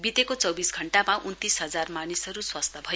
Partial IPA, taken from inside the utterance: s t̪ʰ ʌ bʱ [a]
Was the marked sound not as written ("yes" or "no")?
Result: yes